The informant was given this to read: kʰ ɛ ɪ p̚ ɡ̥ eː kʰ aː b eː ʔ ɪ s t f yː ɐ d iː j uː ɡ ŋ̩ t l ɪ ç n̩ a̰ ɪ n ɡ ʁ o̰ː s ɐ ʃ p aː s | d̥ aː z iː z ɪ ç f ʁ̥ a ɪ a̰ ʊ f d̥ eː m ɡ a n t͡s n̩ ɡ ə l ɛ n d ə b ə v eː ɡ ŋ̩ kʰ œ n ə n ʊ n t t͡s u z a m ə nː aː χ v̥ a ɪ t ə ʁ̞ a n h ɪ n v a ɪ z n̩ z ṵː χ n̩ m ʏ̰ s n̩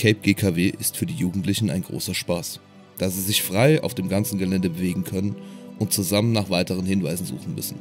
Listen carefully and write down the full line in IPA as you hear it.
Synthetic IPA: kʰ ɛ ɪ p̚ ɡ̥ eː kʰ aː v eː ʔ ɪ s t f yː ɐ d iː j uː ɡ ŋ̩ t l ɪ ç n̩ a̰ ɪ n ɡ ʁ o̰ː s ɐ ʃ p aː s | d̥ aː z iː z ɪ ç f ʁ̥ a ɪ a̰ ʊ f d̥ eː m ɡ a n t͡s n̩ ɡ ə l ɛ n d ə b ə v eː ɡ ŋ̩ kʰ œ n ə n ʊ n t t͡s u z a m ə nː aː χ v̥ a ɪ t ə ʁ̞ ə n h ɪ n v a ɪ z n̩ z ṵː χ n̩ m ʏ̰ s n̩

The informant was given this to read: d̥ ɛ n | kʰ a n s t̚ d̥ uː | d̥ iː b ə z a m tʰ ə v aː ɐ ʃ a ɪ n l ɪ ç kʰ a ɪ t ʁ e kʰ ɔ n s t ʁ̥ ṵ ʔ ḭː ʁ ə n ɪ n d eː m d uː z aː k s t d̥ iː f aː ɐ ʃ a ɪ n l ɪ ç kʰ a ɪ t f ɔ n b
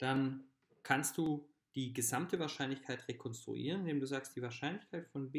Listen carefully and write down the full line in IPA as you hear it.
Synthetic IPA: d̥ a n | kʰ a n s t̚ d̥ uː | d̥ iː ɡ ə z a m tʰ ə v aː ɐ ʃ a ɪ n l ɪ ç kʰ a ɪ t ʁ e kʰ ɔ n s t ʁ̥ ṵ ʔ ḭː ʁ ə n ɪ n d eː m d uː z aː k s t d̥ iː v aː ɐ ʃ a ɪ n l ɪ ç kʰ a ɪ t f ɔ n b

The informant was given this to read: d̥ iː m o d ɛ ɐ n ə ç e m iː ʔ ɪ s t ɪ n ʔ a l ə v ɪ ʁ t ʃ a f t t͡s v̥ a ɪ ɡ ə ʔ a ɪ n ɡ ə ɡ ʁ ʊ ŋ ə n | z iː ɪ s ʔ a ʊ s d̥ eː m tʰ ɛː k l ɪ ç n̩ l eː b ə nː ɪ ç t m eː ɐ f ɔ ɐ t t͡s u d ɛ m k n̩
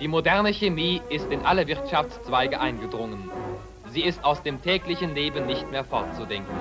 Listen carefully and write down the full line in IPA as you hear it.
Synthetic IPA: d̥ iː m o d ɛ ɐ n ə ç e m iː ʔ ɪ s t ɪ n ʔ a l ə v ɪ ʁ t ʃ a f t͡s t͡s v̥ a ɪ ɡ ə ʔ a ɪ n ɡ ə d ʁ ʊ ŋ ə n | z iː ɪ s t a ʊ s d̥ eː m tʰ ɛː k l ɪ ç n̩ l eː b ə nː ɪ ç t m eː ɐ f ɔ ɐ t t͡s u d ɛ ŋ k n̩

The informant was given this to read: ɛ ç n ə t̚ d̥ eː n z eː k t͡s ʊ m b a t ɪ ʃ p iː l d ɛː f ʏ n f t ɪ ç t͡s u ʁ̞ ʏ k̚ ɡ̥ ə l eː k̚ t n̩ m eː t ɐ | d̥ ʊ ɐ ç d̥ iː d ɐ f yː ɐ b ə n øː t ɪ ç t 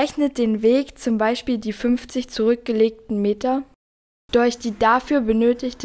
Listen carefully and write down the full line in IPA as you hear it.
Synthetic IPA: ɛ ç n ə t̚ d̥ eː n v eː k t͡s ʊ m b a ɪ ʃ p iː l d iː f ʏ n f t͡s ɪ ç t͡s u ʁ̞ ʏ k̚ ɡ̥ ə l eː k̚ t n̩ m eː t ɐ | d̥ ʊ ɐ ç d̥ iː d a f yː ɐ b ə n øː t ɪ ç t

